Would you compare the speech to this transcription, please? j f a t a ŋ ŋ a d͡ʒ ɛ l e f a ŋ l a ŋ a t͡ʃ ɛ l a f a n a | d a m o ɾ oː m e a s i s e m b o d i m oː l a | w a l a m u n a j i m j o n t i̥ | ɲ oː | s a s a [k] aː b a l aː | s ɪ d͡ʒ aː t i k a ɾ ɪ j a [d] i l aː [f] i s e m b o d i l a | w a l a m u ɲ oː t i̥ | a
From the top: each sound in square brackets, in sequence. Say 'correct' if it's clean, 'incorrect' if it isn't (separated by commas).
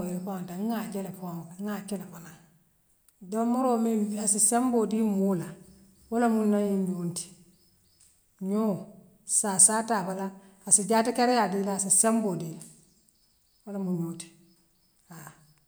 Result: incorrect, correct, incorrect